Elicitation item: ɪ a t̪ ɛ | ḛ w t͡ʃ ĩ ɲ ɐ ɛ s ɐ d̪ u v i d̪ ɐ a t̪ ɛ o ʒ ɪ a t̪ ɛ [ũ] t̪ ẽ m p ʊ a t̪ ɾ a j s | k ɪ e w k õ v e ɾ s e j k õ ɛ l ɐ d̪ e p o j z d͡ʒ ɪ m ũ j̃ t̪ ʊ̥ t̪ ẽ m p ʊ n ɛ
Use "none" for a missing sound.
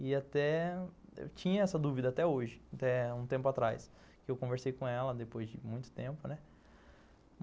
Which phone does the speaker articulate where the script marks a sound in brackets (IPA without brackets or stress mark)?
ũ